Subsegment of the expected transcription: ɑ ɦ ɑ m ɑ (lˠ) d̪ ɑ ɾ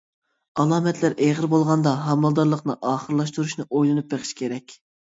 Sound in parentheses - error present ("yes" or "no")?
no